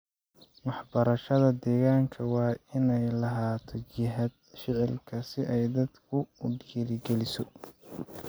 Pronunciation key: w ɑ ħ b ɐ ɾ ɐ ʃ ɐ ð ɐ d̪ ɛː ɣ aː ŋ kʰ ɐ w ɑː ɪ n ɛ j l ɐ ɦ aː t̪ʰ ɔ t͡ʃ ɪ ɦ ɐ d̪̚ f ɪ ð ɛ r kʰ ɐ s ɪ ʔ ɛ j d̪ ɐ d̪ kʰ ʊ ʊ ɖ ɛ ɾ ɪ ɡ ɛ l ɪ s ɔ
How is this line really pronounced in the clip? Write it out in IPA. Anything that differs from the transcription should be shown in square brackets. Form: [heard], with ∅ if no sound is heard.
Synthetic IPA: w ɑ ħ b ɐ ɾ ɐ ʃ ɐ ð ɐ d̪ ɛː ɣ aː ŋ kʰ ɐ w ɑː ɪ n ɛ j l ɐ ɦ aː t̪ʰ ɔ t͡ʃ ɪ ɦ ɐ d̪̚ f ɪ [ʕ] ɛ [l] kʰ ɐ s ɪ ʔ ɛ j d̪ ɐ d̪ kʰ ʊ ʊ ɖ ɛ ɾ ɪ ɡ ɛ l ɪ s ɔ